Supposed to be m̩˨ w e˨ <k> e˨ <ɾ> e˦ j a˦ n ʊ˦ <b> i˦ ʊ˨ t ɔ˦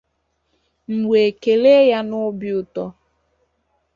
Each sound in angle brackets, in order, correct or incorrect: correct, incorrect: l, correct

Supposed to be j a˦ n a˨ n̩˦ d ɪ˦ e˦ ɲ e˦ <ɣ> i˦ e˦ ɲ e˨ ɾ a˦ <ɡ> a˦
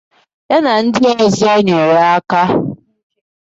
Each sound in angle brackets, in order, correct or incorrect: incorrect: z, incorrect: k

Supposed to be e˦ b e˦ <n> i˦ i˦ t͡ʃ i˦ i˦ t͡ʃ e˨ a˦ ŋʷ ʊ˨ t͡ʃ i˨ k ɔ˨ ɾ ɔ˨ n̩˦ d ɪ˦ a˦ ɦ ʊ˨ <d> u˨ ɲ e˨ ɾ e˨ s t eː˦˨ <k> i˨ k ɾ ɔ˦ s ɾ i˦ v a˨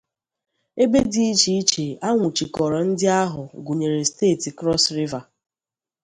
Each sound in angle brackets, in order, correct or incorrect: incorrect: d, incorrect: ɡ, incorrect: t

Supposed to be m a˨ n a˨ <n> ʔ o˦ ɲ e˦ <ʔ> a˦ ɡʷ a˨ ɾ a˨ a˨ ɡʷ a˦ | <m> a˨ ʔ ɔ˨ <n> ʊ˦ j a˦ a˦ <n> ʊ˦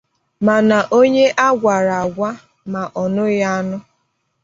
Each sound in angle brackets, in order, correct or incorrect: incorrect: none, correct, correct, correct, correct

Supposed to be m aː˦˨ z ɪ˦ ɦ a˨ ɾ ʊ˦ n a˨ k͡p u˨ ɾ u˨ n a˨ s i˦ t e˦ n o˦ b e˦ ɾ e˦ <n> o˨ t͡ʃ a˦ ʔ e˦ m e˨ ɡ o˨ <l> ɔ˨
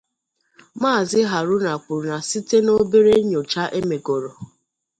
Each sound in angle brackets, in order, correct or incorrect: incorrect: ɲ, incorrect: ɾ

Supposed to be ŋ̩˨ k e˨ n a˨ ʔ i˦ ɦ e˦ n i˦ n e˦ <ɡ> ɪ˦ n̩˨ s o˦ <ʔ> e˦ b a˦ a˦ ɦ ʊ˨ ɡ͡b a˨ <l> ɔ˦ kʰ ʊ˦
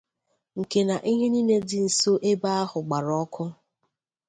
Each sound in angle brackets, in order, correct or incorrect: incorrect: d, correct, incorrect: ɾ

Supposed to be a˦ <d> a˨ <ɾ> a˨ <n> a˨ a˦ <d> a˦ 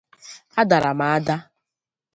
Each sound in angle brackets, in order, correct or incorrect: correct, correct, incorrect: m, correct

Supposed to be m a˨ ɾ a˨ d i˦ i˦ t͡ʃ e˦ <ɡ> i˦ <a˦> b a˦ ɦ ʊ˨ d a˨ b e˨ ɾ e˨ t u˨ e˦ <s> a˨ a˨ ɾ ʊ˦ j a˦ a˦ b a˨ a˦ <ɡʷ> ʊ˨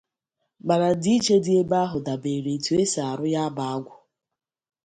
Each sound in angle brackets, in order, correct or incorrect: incorrect: d, incorrect: e˦, correct, correct

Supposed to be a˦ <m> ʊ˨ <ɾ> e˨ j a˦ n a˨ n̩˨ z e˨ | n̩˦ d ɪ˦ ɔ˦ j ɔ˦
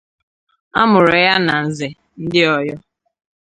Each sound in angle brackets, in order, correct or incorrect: correct, correct

